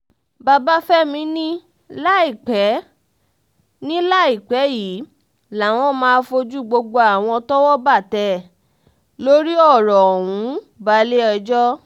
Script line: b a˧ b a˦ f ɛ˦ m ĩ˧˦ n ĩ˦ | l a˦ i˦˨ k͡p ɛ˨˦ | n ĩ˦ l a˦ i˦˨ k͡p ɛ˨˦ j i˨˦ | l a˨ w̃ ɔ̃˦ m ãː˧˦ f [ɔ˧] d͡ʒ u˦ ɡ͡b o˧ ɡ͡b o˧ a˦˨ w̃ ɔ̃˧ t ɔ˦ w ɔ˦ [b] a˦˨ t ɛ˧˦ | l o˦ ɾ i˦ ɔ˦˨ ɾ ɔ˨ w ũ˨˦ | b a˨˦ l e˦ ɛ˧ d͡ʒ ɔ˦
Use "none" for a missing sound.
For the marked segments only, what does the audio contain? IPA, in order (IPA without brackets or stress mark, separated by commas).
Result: o˧, b